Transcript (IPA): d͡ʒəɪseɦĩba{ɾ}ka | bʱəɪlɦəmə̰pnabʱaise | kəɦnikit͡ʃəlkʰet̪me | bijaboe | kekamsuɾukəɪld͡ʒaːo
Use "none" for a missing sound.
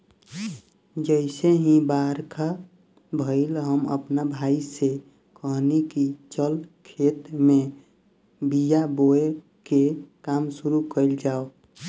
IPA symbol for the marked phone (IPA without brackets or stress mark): ɾ